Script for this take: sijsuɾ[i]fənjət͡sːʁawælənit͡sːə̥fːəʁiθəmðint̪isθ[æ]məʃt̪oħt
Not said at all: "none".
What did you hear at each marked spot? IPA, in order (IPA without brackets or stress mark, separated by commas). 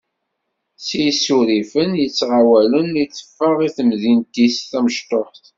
i, æ